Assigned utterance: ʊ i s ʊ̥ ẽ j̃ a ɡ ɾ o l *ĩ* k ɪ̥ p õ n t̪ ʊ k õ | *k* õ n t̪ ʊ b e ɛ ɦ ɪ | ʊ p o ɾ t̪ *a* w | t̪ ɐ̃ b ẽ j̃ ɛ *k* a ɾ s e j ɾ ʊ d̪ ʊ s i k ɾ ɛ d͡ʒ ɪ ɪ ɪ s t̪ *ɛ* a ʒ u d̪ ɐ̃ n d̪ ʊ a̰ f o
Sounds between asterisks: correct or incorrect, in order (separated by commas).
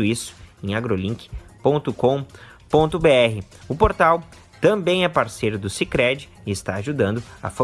correct, incorrect, correct, incorrect, incorrect